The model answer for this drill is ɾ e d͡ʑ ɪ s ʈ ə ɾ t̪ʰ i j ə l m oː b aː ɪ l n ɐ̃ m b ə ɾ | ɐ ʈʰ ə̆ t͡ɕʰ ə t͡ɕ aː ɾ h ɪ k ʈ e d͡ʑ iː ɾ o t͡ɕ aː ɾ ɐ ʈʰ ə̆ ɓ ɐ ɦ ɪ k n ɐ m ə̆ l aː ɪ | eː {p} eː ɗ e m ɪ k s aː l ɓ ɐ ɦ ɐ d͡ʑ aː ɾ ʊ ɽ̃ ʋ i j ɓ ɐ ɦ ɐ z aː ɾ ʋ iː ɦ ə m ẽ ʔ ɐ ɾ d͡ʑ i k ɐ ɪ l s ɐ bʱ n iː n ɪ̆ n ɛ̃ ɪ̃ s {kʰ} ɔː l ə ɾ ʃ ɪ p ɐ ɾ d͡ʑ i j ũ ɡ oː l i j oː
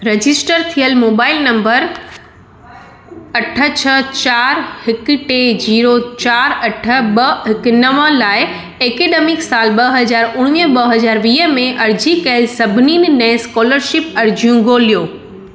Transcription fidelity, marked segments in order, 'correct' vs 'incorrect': incorrect, incorrect

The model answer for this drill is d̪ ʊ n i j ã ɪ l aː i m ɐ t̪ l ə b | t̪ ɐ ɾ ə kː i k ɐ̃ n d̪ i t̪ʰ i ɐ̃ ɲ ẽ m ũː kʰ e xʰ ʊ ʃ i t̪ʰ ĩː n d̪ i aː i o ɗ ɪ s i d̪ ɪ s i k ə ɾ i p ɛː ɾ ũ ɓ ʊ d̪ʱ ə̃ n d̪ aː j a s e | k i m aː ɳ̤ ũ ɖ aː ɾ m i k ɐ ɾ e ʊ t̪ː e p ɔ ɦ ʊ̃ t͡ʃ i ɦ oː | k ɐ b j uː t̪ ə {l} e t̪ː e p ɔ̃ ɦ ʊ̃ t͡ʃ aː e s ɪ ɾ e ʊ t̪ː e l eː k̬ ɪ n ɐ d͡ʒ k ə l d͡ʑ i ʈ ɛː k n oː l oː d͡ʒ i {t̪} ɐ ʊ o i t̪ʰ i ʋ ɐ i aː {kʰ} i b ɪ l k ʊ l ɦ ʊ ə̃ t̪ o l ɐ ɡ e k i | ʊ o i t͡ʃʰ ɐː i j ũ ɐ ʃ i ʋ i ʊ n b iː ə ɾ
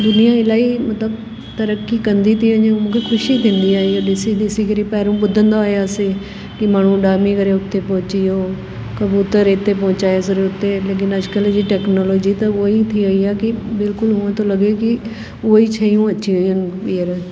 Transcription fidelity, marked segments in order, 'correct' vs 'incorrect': incorrect, correct, incorrect

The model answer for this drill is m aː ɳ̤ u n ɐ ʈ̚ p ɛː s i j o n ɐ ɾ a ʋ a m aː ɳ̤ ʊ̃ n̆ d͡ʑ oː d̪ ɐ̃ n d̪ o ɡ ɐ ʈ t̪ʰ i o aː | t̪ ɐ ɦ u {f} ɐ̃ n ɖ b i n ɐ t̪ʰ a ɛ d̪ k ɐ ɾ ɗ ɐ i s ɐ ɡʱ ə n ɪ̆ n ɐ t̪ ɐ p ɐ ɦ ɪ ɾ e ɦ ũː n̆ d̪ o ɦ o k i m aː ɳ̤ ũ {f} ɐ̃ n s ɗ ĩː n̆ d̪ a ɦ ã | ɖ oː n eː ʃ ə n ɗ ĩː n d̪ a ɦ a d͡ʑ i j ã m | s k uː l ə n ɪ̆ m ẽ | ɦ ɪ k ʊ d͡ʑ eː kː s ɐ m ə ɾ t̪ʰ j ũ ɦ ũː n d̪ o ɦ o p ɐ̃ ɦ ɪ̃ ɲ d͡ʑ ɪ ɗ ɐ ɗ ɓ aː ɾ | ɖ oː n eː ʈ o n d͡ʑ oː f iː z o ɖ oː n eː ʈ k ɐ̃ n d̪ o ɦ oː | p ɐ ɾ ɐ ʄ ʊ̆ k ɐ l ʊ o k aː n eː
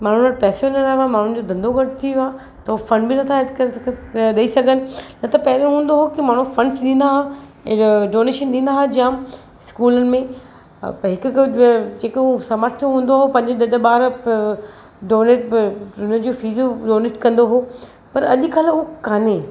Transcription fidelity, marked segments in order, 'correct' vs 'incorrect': correct, correct

